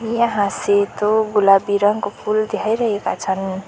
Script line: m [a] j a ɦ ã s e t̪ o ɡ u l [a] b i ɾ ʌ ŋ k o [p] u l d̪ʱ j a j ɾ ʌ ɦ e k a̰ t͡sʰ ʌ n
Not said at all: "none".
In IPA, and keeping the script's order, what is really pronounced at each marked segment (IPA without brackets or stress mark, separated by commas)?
i, a, pʰ